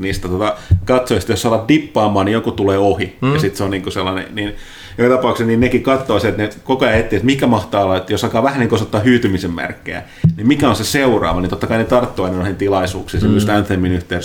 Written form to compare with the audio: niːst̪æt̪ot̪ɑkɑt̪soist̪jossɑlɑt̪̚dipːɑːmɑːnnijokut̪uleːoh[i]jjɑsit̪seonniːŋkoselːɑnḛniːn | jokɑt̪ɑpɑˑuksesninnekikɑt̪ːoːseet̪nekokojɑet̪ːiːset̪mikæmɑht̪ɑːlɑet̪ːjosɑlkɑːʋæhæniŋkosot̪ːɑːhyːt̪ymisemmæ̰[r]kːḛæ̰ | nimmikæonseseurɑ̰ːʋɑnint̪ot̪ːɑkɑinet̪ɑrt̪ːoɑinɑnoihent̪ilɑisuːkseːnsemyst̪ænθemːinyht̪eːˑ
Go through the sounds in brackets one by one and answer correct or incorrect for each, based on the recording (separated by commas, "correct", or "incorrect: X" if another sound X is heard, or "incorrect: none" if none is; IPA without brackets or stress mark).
correct, correct